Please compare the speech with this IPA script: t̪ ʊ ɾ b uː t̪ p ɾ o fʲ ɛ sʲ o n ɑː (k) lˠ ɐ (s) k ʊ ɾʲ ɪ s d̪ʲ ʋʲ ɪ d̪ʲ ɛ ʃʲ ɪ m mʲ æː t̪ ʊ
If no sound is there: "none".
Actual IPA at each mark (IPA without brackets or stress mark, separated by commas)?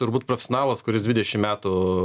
none, s